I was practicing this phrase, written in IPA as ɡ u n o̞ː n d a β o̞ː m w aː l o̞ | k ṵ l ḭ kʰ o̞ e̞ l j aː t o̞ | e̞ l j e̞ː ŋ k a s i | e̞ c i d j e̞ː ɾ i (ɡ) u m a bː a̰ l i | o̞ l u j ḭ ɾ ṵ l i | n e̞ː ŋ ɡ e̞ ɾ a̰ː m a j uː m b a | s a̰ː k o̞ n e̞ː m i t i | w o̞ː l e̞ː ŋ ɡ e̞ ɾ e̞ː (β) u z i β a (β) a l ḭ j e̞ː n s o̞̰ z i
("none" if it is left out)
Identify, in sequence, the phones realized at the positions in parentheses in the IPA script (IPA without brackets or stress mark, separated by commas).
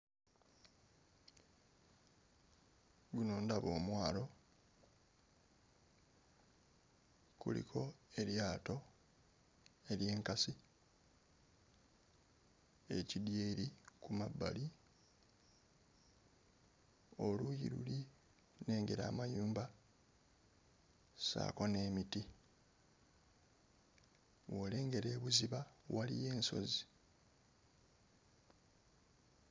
k, β, w